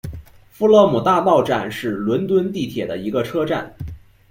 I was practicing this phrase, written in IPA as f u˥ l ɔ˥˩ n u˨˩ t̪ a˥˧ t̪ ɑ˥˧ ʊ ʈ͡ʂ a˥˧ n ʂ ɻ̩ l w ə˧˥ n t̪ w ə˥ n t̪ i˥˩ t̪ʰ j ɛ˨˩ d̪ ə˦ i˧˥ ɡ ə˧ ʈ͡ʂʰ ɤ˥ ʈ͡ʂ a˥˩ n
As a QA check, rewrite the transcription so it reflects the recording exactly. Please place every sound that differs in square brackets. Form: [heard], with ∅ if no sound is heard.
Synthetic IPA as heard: f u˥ l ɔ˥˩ [m] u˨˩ t̪ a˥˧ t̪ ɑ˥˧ ʊ ʈ͡ʂ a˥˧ n ʂ ɻ̩ l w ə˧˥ n t̪ w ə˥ n t̪ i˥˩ t̪ʰ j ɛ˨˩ d̪ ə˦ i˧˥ ɡ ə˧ ʈ͡ʂʰ ɤ˥ ʈ͡ʂ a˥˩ n